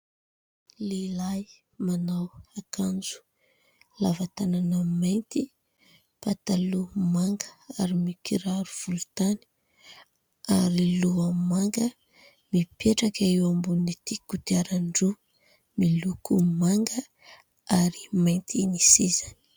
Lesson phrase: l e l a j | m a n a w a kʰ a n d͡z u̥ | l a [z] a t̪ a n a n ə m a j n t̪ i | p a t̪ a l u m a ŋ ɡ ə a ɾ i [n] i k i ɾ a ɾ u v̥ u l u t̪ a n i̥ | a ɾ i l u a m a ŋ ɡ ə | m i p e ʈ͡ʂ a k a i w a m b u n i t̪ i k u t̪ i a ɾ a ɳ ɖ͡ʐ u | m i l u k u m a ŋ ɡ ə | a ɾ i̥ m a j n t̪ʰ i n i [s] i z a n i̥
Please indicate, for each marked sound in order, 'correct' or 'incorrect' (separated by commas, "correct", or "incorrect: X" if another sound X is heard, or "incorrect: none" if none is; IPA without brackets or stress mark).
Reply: incorrect: v, incorrect: m, correct